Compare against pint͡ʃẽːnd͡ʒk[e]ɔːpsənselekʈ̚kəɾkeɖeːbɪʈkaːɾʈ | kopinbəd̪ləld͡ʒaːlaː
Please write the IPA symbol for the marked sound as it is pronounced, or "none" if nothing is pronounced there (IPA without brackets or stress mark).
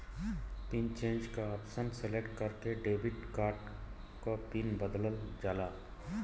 a